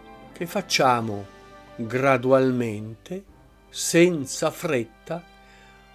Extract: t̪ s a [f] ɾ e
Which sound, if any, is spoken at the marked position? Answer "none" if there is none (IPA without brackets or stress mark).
f